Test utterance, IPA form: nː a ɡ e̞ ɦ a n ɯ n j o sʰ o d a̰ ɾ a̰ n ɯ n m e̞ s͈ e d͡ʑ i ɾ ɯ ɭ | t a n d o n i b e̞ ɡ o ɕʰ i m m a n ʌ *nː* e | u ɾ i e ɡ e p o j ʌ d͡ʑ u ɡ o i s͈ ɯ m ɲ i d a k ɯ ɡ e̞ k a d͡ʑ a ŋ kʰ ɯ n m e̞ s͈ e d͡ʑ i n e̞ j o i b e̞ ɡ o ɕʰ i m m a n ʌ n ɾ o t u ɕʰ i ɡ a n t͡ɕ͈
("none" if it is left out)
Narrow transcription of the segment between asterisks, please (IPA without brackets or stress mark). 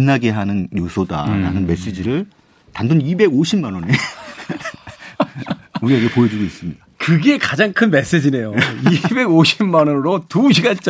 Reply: n